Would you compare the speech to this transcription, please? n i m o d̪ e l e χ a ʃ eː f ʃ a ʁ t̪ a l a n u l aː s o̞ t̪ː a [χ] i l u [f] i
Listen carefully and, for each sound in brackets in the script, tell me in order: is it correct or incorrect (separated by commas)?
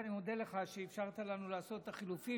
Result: correct, correct